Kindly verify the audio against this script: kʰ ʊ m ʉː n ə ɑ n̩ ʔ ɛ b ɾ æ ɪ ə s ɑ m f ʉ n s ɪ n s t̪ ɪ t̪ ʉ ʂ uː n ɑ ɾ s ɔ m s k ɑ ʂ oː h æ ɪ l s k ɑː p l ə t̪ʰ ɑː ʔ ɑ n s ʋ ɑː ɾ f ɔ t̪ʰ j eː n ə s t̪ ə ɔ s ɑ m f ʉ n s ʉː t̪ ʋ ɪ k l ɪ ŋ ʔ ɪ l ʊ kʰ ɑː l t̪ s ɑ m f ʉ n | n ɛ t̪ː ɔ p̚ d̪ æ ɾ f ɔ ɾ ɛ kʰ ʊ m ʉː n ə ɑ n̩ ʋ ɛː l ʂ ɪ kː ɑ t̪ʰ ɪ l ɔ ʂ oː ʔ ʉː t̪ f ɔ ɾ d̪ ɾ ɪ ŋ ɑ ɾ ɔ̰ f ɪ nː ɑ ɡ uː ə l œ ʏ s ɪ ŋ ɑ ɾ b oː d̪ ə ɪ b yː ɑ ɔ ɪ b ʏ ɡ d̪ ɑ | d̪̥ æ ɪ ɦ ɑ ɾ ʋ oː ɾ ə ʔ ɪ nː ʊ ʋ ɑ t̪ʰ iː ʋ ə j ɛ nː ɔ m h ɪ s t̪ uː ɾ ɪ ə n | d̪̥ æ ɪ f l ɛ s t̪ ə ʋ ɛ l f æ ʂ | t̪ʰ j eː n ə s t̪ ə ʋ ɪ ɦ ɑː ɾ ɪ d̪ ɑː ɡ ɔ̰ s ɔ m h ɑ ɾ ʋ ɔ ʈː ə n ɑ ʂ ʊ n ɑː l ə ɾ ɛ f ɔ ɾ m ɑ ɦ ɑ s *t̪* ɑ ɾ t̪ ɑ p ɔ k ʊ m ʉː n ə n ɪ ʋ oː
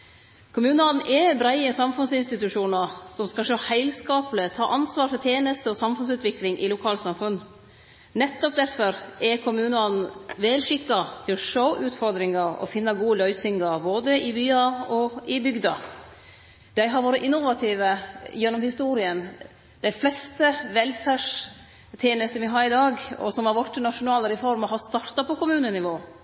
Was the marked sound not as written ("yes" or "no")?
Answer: no